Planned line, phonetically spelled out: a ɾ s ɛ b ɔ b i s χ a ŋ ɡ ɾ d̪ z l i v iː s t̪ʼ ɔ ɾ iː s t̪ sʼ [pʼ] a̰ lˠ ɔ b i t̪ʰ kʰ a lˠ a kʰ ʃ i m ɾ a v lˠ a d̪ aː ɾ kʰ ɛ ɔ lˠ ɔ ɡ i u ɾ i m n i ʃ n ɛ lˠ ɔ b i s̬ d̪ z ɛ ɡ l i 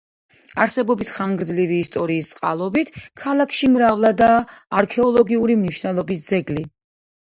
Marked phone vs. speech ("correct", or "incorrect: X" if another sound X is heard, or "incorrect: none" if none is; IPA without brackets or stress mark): incorrect: qʼ